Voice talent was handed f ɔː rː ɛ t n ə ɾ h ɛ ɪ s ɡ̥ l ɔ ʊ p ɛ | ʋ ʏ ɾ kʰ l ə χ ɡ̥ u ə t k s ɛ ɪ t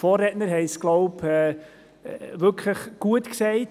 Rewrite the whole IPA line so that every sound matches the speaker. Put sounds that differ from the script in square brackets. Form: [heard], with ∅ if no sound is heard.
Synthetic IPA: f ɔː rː ɛ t n ə ɾ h ɛ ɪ s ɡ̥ l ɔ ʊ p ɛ | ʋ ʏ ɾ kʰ l ə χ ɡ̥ u ə t k s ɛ ɪ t